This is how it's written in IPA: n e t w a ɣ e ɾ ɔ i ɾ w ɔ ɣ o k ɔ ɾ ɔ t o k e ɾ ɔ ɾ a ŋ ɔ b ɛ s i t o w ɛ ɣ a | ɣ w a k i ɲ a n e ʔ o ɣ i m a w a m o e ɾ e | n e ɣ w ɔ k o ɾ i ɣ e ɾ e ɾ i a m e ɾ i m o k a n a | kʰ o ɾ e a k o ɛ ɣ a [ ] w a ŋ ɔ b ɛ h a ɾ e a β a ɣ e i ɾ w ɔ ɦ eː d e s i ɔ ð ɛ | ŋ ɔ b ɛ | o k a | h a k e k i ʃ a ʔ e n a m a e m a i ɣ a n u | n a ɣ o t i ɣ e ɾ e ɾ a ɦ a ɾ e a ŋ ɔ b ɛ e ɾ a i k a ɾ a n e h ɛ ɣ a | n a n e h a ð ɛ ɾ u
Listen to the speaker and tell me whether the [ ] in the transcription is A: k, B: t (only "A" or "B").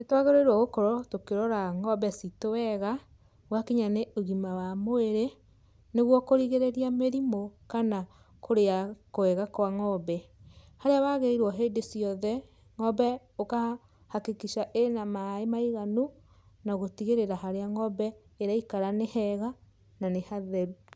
A